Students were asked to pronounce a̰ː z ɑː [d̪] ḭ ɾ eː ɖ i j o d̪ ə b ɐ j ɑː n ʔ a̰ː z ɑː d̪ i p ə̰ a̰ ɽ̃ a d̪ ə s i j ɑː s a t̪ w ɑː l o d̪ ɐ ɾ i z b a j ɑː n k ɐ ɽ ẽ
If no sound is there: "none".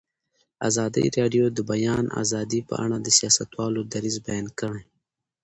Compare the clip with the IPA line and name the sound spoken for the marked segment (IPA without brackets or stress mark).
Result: d̪